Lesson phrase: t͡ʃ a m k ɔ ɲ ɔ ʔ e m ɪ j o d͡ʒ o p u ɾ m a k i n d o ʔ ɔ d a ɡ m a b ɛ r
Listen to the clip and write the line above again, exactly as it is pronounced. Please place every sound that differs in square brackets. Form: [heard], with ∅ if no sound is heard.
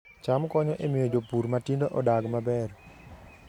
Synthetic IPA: t͡ʃ a m k ɔ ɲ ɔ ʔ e m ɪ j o d͡ʒ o p u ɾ m a [t] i n d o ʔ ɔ d a ɡ m a b ɛ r